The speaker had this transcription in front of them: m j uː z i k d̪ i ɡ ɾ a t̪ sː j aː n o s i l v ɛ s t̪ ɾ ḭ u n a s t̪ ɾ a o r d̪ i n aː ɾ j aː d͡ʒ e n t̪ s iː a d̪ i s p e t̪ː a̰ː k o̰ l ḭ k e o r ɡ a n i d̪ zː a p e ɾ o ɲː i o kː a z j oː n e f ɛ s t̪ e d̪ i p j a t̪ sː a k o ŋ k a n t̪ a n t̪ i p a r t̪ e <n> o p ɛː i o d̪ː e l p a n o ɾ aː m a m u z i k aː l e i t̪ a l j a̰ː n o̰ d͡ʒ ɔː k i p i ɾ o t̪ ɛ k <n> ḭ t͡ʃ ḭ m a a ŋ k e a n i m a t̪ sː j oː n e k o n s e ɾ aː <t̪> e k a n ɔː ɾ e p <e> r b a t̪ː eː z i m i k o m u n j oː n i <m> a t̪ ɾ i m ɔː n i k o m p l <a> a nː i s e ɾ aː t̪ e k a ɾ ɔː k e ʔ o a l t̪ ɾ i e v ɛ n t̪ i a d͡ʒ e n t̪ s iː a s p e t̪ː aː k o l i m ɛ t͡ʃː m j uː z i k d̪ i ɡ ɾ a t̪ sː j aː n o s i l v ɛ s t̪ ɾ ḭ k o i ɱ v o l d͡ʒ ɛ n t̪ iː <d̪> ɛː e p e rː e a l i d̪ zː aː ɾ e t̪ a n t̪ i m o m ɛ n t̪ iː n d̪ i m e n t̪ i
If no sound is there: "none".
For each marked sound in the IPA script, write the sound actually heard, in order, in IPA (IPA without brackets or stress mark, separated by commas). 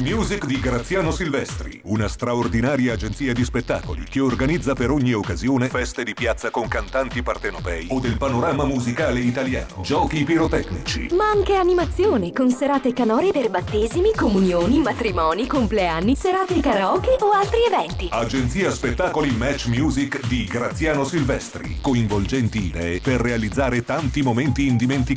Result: n, n, t̪, e, m, e, d̪